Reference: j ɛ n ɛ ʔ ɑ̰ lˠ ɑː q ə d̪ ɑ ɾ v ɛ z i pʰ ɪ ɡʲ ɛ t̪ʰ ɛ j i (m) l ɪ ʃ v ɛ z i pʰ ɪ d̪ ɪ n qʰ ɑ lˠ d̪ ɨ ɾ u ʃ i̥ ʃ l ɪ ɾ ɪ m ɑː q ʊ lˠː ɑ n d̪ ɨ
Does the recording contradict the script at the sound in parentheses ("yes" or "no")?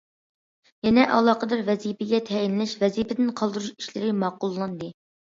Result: yes